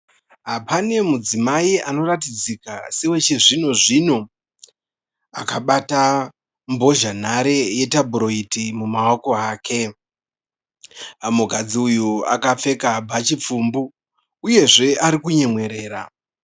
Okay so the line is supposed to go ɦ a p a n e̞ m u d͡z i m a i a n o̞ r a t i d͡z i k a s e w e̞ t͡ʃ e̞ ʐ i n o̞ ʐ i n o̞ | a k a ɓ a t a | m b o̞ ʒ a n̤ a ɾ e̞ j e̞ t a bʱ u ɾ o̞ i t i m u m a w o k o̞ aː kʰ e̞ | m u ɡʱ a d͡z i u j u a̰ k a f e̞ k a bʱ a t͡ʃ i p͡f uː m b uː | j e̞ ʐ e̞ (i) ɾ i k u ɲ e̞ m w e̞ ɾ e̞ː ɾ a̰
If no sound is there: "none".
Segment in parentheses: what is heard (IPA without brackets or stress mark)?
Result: a